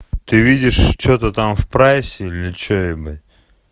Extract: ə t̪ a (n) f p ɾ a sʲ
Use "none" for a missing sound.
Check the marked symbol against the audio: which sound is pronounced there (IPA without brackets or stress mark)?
m